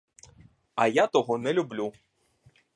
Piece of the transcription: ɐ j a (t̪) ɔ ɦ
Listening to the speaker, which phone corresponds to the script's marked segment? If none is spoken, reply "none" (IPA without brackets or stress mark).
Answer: t̪